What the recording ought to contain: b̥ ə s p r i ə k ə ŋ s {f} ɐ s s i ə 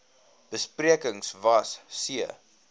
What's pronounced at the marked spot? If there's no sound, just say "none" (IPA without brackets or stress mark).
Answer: v